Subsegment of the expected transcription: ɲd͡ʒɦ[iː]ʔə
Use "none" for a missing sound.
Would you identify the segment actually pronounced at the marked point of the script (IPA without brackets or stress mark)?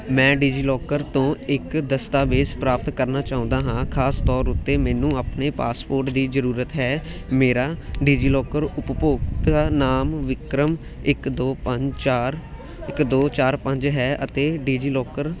ɛː